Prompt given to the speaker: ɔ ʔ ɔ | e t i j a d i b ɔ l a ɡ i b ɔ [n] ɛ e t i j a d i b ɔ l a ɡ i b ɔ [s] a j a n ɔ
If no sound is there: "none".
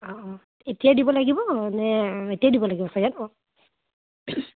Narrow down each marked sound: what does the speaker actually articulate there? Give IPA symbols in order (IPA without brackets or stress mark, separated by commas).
n, s